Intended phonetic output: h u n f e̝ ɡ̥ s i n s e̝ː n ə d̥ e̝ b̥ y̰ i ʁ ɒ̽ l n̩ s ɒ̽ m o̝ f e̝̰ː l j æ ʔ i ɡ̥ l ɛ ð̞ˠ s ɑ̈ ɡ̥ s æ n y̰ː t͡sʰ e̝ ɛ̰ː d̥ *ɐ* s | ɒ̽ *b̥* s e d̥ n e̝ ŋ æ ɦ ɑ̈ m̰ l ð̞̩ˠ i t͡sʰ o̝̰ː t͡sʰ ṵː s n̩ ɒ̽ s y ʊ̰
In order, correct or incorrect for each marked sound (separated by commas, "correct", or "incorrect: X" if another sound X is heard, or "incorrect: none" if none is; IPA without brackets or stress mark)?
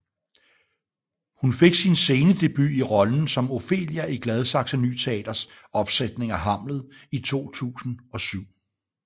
correct, correct